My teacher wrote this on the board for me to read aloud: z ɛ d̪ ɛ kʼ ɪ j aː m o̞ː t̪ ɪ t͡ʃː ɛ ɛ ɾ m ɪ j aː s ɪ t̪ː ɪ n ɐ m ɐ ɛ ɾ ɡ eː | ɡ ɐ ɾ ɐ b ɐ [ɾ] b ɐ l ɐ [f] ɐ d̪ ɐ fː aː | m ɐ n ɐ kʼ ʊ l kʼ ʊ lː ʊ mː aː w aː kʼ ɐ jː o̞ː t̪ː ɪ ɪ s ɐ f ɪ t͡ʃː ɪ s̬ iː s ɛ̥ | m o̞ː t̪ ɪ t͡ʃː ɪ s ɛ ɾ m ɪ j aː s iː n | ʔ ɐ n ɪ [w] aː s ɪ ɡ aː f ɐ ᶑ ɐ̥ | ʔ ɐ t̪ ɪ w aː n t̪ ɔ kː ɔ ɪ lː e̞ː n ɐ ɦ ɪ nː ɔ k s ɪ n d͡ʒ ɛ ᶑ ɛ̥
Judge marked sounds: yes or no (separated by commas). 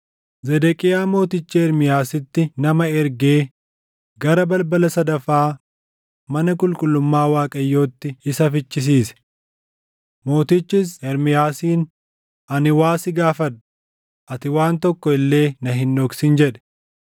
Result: no, no, yes